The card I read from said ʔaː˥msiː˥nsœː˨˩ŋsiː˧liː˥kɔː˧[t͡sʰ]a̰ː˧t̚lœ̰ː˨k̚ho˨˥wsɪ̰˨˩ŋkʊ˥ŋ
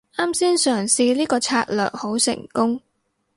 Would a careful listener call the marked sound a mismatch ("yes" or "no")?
no